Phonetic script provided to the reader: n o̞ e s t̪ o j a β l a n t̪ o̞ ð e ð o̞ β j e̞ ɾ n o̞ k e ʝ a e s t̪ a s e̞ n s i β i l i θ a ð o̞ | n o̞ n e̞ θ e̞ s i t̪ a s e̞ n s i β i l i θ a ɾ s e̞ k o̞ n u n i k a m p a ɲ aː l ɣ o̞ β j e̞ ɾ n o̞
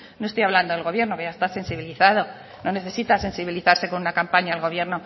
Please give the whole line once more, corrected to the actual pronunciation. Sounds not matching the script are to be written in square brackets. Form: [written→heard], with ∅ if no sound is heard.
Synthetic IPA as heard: n o̞ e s t̪ o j a β l a n [t̪→d̪] o̞ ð e [ð→ɣ] o̞ β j e̞ ɾ n o̞ k e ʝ a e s t̪ a s e̞ n s i β i l i θ a ð o̞ | n o̞ n e̞ θ e̞ s i t̪ a s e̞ n s i β i l i θ a ɾ s e̞ k o̞ n u n [i→a] k a m p a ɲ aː l ɣ o̞ β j e̞ ɾ n o̞